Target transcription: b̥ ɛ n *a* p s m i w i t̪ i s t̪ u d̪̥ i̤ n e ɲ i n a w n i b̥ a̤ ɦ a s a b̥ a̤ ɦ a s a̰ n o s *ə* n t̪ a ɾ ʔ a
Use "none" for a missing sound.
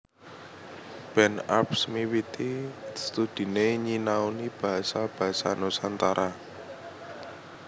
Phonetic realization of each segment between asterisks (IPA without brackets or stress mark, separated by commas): a, a